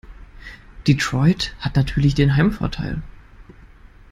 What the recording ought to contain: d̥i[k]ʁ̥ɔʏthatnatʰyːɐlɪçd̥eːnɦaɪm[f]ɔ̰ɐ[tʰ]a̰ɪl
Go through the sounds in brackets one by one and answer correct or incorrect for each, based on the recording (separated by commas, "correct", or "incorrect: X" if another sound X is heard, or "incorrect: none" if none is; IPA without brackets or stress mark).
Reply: incorrect: t, correct, correct